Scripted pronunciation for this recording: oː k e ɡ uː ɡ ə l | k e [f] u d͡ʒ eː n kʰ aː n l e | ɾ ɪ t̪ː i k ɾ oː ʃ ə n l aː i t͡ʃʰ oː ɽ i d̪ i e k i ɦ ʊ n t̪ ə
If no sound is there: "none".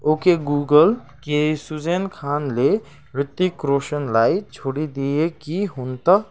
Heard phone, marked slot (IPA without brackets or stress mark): s